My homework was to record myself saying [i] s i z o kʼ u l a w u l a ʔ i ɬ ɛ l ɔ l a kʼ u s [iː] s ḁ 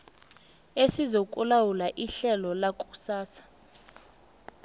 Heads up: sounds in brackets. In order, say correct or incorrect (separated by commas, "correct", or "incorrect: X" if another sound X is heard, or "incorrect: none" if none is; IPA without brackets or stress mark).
incorrect: e, incorrect: aː